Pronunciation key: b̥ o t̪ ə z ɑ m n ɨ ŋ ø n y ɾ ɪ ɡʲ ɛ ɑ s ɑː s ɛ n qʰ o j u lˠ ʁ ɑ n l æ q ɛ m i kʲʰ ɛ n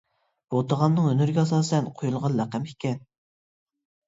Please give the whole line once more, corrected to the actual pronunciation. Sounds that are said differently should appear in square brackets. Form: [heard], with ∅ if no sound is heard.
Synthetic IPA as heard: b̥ o t̪ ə [ʁ] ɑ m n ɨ ŋ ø n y ɾ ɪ ɡʲ ɛ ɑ s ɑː s ɛ n qʰ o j u lˠ ʁ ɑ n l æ q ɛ m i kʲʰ ɛ n